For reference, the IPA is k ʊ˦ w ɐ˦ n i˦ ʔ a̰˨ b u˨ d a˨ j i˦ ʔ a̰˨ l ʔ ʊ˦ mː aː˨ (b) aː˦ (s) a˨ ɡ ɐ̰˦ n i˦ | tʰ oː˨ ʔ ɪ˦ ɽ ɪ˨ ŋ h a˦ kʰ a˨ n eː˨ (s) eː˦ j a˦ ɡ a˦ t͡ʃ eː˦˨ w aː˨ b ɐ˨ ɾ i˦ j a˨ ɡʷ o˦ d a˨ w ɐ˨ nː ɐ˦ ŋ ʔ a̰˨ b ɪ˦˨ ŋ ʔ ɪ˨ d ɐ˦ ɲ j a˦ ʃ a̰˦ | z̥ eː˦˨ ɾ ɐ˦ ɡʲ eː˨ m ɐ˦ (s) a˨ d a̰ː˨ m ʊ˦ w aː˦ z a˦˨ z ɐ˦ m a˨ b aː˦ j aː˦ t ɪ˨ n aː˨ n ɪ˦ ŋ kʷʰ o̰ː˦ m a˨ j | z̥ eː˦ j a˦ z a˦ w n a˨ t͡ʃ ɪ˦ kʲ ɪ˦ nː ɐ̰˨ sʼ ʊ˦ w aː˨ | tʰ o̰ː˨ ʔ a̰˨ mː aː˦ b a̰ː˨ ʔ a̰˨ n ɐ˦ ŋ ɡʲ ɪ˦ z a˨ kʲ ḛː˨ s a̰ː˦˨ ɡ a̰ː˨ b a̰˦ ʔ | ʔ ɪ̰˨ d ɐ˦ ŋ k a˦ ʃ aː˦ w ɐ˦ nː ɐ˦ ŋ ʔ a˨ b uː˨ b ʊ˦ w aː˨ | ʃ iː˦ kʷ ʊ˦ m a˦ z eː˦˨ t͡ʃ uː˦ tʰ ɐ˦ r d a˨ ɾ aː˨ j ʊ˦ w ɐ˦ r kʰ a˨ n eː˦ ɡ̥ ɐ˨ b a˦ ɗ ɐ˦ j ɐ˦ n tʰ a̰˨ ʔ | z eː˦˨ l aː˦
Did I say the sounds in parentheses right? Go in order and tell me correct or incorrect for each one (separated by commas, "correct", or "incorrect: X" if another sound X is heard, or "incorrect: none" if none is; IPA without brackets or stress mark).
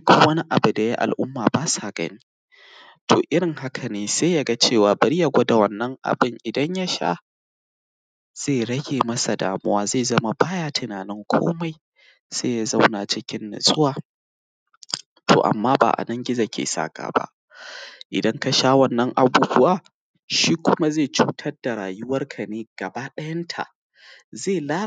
correct, correct, correct, correct